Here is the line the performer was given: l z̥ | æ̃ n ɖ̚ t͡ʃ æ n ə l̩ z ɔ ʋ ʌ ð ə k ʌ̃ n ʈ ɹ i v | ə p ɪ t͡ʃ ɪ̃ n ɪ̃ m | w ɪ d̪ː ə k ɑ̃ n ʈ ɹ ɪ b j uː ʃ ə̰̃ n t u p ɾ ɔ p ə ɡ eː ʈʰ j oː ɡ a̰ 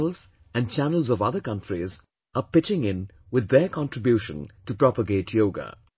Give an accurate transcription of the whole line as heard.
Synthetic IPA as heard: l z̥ | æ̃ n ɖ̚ t͡ʃ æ n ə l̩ z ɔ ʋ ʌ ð ə k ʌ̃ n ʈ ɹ i z | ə p ɪ t͡ʃ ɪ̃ ŋ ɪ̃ n | w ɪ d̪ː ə k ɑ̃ n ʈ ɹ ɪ b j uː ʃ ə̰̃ n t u p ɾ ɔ p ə ɡ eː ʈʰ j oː ɡ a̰